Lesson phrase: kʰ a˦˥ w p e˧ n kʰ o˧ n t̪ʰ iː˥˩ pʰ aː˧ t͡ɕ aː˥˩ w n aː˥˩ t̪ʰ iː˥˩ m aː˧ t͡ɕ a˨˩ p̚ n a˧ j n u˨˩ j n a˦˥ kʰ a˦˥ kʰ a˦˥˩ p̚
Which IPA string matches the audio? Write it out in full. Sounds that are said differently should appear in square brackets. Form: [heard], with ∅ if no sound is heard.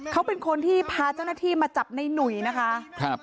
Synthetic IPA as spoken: kʰ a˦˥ w p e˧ n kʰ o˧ n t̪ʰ iː˥˩ pʰ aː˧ t͡ɕ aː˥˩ w n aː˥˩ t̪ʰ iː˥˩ m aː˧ t͡ɕ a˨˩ p̚ n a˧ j n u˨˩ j n a˦˥ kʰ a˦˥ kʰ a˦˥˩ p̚